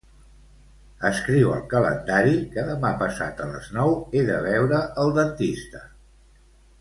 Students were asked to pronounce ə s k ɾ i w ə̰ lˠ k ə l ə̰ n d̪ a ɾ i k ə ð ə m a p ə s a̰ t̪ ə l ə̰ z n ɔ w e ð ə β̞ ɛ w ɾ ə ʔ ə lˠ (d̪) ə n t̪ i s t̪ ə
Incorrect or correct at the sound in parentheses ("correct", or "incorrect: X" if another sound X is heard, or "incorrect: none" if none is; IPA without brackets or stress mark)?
correct